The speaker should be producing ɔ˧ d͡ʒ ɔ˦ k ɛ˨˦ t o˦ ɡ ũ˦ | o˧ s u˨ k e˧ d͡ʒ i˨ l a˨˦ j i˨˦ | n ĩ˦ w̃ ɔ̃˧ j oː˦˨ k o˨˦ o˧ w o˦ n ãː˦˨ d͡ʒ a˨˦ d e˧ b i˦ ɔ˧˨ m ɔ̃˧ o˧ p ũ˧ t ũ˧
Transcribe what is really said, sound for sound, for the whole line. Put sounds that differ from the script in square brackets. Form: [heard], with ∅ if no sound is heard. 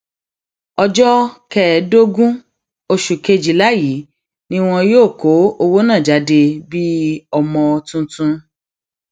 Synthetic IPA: ɔ˧ d͡ʒ ɔ˦ k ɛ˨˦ [d] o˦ ɡ ũ˦ | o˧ [ʃ] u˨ k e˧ d͡ʒ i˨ l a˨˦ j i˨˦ | n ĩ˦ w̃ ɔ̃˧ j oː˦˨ k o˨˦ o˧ w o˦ n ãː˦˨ d͡ʒ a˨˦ d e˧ b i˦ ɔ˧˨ m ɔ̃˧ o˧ [t] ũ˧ t ũ˧